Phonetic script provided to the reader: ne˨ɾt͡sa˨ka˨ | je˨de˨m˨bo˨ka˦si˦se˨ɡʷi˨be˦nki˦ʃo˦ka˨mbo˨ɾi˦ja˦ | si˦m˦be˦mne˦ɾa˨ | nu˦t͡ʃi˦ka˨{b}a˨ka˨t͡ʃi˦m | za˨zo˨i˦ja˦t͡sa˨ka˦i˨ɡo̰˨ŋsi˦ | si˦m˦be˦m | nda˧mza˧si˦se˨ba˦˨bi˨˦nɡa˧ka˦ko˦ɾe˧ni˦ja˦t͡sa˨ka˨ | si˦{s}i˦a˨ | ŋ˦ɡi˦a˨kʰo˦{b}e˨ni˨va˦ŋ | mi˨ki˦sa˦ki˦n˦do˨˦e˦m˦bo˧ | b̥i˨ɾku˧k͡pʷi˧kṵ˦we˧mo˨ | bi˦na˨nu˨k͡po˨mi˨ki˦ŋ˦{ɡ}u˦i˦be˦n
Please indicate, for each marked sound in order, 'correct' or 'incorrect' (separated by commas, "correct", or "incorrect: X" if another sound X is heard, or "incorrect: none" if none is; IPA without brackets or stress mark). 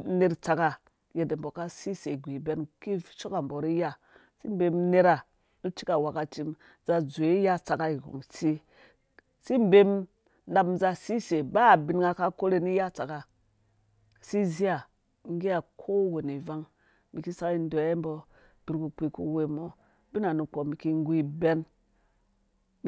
incorrect: w, incorrect: z, incorrect: w, correct